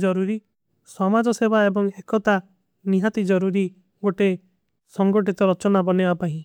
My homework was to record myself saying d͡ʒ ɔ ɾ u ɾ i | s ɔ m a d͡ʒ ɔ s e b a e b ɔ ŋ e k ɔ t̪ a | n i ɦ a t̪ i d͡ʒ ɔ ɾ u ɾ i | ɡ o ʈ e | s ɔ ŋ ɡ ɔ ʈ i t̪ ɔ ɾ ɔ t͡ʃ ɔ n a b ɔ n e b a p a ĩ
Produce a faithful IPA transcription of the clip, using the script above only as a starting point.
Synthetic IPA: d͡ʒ ɔ ɾ u ɾ i | s ɔ m a d͡ʒ ɔ s e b a e b ɔ ŋ e k ɔ t̪ a | n i ɦ a t̪ i d͡ʒ ɔ ɾ u ɾ i | ɡ o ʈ e | s ɔ ŋ ɡ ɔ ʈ i t̪ ɔ ɾ ɔ t͡ʃ ɔ n a b ɔ n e b a p a ĩ

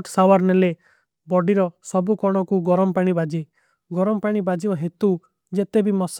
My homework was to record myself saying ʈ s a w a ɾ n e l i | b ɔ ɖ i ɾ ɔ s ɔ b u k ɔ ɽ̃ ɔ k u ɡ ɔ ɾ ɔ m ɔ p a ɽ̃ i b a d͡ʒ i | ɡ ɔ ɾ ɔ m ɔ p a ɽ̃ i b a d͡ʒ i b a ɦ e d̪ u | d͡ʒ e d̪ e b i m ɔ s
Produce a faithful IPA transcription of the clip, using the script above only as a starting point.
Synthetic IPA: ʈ s a w a ɾ n e l e | b ɔ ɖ i ɾ ɔ s ɔ b u k ɔ ɽ̃ ɔ k u ɡ ɔ ɾ ɔ m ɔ p a ɽ̃ i b a d͡ʒ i | ɡ ɔ ɾ ɔ m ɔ p a ɽ̃ i b a d͡ʒ i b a ɦ e t̪ u | d͡ʒ e t̪ e b i m ɔ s

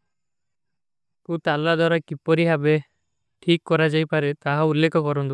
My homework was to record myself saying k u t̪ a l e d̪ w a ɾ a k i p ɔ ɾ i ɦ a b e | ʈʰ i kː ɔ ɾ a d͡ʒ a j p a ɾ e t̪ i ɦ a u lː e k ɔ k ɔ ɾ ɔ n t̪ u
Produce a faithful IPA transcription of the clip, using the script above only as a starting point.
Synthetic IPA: k u t̪ a l a d̪ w a ɾ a k i p ɔ ɾ i ɦ a b e | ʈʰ i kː ɔ ɾ a d͡ʒ a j p a ɾ e t̪ a ɦ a u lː e k ɔ k ɔ ɾ ɔ n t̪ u

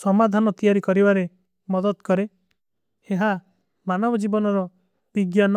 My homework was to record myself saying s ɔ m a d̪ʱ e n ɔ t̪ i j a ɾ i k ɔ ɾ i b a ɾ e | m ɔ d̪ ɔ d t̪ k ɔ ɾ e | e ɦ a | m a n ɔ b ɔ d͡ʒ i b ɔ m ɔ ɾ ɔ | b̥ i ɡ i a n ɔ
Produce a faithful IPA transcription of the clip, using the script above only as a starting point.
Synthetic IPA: s ɔ m a d̪ʱ a n ɔ t̪ i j a ɾ i k ɔ ɾ i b a ɾ e | m ɔ d̪ ɔ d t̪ k ɔ ɾ e | e ɦ a | m a n ɔ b ɔ d͡ʒ i b ɔ n ɔ ɾ ɔ | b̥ i ɡ j a n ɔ

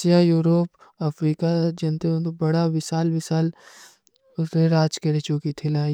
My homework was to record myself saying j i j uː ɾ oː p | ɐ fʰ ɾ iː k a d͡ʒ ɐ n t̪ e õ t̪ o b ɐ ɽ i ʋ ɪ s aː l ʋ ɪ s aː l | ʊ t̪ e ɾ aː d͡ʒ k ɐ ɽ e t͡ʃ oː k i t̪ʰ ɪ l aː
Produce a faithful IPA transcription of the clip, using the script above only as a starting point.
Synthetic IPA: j a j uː ɾ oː p | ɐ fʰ ɾ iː k a d͡ʒ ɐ n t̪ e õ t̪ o b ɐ ɽ a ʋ ɪ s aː l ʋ ɪ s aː l | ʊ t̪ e ɾ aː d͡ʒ k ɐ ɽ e t͡ʃ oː k i t̪ʰ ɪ l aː

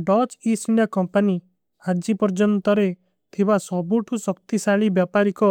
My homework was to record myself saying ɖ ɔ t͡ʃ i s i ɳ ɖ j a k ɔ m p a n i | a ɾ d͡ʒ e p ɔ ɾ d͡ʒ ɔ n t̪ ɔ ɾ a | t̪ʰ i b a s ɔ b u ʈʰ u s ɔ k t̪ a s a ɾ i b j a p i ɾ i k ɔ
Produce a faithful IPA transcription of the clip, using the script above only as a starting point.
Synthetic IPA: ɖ ɔ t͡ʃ i s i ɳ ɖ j a k ɔ m p a n i | a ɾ d͡ʒ i p ɔ ɾ d͡ʒ ɔ n t̪ ɔ ɾ e | t̪ʰ i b a s ɔ b u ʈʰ u s ɔ k t̪ i s a ɭ i b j a p a ɾ i k ɔ

